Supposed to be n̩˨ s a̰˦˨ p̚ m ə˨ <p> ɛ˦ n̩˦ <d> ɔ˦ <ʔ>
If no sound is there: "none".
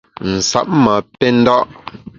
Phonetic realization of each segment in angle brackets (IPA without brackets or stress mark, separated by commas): p, d, ʔ